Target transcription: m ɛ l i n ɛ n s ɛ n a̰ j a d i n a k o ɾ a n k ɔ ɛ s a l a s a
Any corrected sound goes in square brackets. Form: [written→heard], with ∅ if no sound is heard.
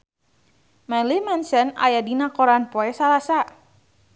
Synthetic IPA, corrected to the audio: m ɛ l i [n→m] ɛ n s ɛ n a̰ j a d i n a k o ɾ a n [k→p] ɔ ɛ s a l a s a